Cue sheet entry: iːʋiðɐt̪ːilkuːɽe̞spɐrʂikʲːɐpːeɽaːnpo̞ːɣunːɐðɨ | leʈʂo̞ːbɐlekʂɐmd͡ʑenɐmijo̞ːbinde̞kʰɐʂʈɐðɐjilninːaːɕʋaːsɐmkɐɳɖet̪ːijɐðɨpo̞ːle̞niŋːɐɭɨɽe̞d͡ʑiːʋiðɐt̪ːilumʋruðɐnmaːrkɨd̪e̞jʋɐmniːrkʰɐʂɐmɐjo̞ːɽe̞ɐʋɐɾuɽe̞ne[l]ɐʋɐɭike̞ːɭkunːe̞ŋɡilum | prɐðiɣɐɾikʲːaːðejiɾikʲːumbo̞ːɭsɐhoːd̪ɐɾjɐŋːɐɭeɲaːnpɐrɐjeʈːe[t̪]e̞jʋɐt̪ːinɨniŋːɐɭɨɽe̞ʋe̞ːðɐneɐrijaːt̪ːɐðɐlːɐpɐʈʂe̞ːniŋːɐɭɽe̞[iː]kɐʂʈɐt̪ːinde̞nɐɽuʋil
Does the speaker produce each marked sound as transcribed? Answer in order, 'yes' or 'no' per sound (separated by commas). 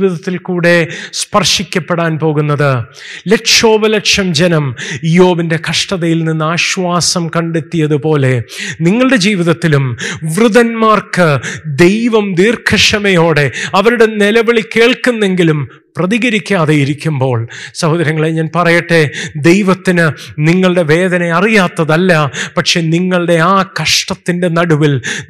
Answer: yes, no, no